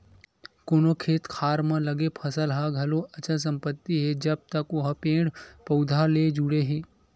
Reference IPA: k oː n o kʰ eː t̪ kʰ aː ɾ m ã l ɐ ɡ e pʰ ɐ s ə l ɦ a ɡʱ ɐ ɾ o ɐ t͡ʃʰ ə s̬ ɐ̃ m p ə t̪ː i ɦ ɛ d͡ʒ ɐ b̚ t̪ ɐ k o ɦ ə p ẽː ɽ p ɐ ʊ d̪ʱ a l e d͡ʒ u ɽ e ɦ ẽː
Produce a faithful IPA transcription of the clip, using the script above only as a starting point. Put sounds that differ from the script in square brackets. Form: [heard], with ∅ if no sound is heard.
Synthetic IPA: k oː n o kʰ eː t̪ kʰ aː ɾ m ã l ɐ ɡ e pʰ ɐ s ə l ɦ a ɡʱ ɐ [l] o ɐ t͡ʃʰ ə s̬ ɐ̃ m p ə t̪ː i ɦ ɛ d͡ʒ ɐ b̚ t̪ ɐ k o ɦ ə p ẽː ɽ p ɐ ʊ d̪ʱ a l e d͡ʒ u ɽ e ɦ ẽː